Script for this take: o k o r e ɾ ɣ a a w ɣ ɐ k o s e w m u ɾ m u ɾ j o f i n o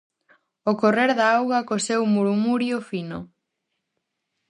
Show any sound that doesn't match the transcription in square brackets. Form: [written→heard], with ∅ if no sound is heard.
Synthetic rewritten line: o k o r e ɾ [ɣ→ð] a a w ɣ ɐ k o s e w m u ɾ m u ɾ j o f i n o